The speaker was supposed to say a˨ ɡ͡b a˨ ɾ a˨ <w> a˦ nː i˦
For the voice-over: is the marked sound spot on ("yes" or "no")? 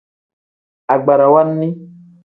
yes